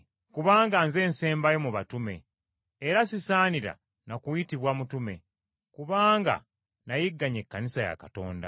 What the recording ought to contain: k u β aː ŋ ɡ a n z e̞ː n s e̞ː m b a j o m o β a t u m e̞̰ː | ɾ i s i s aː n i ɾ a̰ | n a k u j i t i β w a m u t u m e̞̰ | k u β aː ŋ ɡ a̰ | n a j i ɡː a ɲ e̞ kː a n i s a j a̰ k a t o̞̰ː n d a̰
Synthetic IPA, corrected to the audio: k u β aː ŋ ɡ a n z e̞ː n s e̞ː m b a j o m u β a t u m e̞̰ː | ɾ a s i s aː n i ɾ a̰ | n a k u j i t i β w a m u t u m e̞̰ | k u β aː ŋ ɡ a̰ | n a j i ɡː a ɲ e̞ kː a n i s a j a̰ k a t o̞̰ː n d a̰